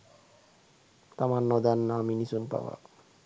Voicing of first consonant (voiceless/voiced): voiceless